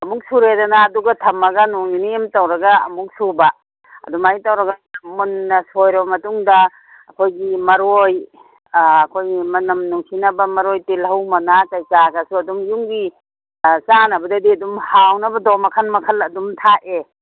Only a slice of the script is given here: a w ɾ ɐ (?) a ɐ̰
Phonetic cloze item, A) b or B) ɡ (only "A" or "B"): B